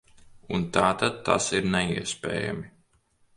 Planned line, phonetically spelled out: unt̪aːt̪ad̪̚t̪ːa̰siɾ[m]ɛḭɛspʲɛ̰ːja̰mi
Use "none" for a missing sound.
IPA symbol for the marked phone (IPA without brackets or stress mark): n